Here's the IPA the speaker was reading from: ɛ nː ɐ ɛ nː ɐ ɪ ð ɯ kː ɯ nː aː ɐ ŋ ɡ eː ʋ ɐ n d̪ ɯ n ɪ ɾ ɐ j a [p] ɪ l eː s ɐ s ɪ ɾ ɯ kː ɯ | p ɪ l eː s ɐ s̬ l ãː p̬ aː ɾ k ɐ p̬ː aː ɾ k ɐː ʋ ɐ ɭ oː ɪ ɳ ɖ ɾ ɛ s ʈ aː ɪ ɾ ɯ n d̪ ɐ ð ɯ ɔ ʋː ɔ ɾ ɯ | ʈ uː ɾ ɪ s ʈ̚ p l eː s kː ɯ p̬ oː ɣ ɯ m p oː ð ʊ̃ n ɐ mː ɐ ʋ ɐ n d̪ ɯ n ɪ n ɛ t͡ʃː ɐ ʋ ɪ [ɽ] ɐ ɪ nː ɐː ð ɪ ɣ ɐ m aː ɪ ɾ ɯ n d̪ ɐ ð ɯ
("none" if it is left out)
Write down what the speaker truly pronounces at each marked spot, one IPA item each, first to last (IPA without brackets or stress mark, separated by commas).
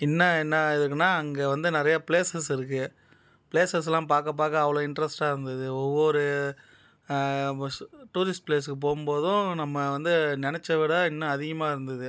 p, ɽ